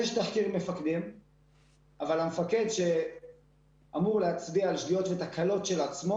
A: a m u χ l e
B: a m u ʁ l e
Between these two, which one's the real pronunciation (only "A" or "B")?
B